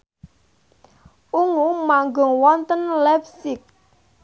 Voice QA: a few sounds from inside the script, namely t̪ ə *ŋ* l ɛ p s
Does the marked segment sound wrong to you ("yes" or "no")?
yes